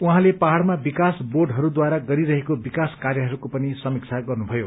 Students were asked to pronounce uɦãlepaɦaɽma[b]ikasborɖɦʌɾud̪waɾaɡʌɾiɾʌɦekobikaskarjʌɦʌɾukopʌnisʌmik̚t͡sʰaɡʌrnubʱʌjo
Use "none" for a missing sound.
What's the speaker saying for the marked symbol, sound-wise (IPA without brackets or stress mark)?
b